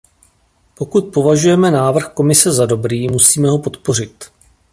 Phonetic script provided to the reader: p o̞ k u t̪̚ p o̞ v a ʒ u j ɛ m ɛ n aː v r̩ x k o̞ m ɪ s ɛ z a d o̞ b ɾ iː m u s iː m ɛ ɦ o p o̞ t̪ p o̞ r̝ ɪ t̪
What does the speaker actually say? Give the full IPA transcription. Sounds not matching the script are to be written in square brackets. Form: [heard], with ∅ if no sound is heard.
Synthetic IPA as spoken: p o̞ k u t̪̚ p o̞ v a ʒ u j ɛ m ɛ n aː v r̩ x k o̞ m ɪ s ɛ z a d o̞ b ɾ iː m u s iː m ɛ ɦ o p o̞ t̪ p o̞ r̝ ɪ t̪